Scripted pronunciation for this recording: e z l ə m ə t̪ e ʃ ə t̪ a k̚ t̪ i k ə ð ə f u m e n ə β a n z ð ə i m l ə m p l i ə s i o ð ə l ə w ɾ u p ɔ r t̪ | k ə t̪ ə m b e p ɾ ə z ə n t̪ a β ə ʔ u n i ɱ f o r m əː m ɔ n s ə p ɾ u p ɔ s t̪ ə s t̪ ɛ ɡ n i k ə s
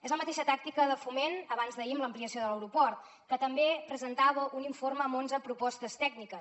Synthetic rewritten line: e z l ə m ə t̪ e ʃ ə t̪ a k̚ t̪ i k ə ð ə f u m e n ə β a n z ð ə i m l ə m p l i ə s i o ð ə l ə w ɾ u p ɔ r t̪ | k ə t̪ ə m b e p ɾ ə z ə n t̪ a β ə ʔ u n i ɱ f o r m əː m o n z ə p ɾ u p ɔ s t̪ ə s t̪ ɛ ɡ n i k ə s